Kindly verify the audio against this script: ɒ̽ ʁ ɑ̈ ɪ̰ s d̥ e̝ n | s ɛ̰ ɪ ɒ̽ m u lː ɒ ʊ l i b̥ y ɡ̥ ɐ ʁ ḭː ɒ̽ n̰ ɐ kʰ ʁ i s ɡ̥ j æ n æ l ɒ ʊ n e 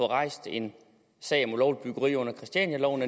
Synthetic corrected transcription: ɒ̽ ʁ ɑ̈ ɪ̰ s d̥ e̝ n | s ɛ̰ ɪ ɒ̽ m u l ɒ ʊ l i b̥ y ɡ̥ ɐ ʁ ḭː ɔ̽ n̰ ɐ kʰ ʁ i s d̥ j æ n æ l ɒ ʊ n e